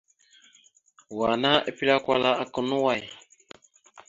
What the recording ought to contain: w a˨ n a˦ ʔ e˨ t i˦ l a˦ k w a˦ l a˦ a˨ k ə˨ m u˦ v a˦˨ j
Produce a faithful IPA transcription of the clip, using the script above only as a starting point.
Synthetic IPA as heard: w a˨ n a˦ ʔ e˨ p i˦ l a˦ k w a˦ l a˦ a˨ k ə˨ n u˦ w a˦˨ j